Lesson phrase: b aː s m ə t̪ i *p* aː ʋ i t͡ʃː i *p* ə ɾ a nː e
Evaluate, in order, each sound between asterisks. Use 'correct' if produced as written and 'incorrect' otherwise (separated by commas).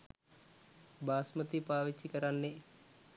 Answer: correct, incorrect